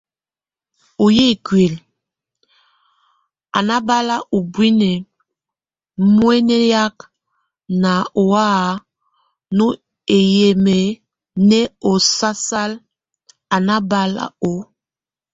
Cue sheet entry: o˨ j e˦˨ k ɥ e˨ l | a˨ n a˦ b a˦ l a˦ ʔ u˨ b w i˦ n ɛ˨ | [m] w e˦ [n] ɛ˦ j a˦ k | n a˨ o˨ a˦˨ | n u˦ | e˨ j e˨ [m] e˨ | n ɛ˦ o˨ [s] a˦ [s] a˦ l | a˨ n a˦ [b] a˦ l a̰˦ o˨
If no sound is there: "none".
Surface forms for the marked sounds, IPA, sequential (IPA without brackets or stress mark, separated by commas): m, n, m, s, s, b